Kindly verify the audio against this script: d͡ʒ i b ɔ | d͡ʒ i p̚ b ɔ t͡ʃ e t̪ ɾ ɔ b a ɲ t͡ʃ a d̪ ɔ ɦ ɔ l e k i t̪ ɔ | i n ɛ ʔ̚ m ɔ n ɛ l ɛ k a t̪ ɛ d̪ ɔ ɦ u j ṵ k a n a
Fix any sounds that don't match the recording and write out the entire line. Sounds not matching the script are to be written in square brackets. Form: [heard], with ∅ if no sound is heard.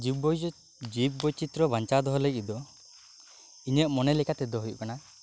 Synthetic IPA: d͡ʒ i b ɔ | d͡ʒ i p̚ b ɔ t͡ʃ [i] t̪ ɾ ɔ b a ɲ t͡ʃ a d̪ ɔ ɦ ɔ l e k i [d̪] ɔ | i [ɲ] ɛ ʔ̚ m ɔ n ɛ l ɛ k a t̪ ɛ d̪ ɔ ɦ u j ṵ k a n a